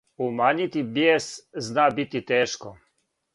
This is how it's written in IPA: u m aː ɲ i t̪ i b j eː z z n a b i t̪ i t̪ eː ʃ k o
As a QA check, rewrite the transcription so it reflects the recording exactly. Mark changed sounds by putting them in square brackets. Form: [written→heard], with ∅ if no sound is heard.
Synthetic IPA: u m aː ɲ i t̪ i b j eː [z→s] z n a b i t̪ i t̪ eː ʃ k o